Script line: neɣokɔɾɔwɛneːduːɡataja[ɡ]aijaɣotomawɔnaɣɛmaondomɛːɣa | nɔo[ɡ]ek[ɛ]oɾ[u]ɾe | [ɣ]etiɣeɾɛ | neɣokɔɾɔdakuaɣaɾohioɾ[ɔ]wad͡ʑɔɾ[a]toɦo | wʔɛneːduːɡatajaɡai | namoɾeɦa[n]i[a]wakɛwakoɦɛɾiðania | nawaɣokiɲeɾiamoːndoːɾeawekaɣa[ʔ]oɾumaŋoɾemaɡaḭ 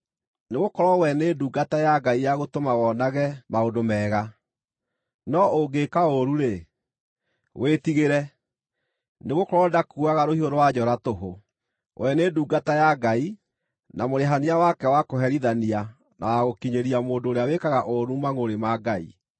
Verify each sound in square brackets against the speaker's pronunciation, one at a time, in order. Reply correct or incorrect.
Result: correct, correct, incorrect, correct, incorrect, incorrect, correct, correct, correct, correct

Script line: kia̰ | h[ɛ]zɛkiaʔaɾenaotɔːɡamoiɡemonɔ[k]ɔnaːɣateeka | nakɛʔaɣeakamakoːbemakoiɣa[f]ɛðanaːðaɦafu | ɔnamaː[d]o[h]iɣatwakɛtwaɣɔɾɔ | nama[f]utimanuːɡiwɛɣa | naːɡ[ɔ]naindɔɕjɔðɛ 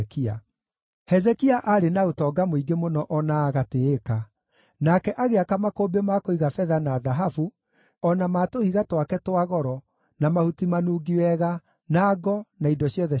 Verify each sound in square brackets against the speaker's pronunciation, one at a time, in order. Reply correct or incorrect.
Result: correct, incorrect, correct, incorrect, correct, incorrect, correct

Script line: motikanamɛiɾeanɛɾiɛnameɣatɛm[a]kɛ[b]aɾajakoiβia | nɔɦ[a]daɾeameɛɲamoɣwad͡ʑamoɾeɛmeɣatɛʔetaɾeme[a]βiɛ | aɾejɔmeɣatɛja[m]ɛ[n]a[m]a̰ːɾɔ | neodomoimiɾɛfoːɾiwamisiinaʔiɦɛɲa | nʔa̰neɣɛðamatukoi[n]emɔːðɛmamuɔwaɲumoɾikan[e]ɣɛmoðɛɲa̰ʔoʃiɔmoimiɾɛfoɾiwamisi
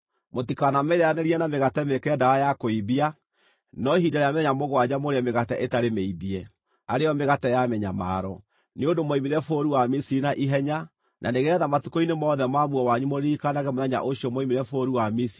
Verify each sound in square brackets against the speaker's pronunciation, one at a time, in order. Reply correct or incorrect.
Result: incorrect, incorrect, incorrect, incorrect, correct, incorrect, correct, correct, incorrect

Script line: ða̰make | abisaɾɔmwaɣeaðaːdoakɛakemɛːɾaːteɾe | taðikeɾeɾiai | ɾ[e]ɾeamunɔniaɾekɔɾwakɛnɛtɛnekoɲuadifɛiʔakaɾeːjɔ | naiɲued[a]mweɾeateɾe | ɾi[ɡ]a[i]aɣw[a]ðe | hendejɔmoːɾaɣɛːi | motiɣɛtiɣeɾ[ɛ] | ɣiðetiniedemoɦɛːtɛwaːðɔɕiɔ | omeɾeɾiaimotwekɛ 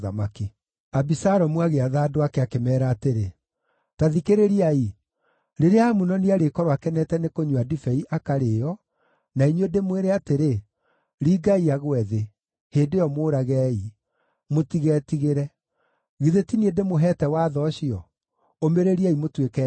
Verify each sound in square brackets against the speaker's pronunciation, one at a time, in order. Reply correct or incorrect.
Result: correct, incorrect, correct, correct, incorrect, correct

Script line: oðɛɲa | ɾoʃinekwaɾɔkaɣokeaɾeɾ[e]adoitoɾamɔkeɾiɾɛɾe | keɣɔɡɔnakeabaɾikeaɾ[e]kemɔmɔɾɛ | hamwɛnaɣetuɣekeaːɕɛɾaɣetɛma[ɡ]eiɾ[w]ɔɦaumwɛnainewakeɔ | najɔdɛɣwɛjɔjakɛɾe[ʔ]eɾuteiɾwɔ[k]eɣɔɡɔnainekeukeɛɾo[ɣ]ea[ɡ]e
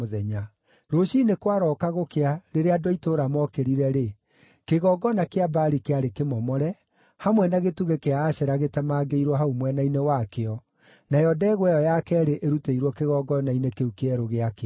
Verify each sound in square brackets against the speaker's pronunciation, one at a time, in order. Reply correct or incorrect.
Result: correct, correct, correct, correct, correct, correct, correct, incorrect

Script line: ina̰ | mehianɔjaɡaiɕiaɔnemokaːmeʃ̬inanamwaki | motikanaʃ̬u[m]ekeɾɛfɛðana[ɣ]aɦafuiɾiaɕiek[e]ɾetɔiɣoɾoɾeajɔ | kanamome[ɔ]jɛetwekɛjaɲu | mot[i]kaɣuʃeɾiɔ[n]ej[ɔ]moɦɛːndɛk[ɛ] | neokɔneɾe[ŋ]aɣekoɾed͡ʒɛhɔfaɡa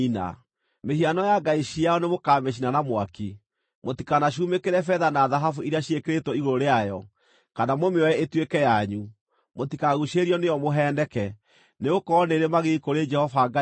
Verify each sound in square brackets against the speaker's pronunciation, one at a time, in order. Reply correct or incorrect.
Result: correct, incorrect, correct, correct, correct, correct, correct, correct, incorrect

